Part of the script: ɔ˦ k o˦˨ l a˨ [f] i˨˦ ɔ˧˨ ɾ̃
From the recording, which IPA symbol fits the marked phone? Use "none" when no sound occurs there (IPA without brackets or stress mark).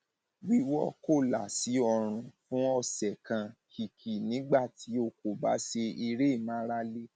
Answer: s